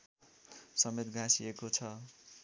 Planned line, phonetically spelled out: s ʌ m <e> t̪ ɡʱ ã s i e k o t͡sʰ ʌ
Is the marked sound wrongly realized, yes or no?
no